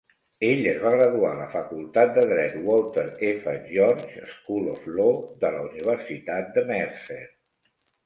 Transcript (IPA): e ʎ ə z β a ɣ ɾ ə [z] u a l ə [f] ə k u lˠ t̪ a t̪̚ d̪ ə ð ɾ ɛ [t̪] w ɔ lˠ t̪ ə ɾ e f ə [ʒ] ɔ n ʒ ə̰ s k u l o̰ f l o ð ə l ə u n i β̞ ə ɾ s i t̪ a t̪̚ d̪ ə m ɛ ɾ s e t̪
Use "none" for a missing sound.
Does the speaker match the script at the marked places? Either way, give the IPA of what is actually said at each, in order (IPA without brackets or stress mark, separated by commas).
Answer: ð, f, t̪, ʒ